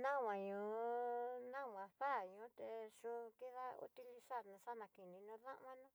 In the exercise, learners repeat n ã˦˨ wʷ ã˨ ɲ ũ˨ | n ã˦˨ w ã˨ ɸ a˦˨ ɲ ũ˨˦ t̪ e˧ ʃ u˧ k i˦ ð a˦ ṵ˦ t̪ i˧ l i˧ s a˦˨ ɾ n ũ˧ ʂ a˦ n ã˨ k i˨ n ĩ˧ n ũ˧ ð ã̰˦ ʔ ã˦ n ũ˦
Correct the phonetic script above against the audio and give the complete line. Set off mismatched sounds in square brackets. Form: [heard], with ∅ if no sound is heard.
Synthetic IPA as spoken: n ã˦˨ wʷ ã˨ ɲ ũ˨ | n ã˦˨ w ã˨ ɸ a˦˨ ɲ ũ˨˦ t̪ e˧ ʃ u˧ k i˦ ð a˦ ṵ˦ t̪ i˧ l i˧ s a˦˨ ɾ n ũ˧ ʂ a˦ n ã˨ k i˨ n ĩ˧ n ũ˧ ð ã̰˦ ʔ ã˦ n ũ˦